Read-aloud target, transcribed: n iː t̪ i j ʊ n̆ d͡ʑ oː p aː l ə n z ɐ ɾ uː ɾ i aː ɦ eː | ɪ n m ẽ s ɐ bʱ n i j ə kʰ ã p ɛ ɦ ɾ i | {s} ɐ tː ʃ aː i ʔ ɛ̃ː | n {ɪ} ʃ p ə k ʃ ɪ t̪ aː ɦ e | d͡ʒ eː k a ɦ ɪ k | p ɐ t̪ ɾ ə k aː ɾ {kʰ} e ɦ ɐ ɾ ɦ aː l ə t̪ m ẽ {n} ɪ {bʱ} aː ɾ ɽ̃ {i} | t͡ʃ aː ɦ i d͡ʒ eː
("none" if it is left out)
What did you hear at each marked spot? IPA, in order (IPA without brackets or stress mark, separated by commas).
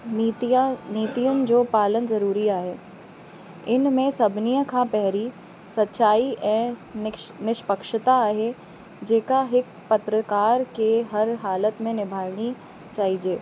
s, ɪ, k, n, bʱ, i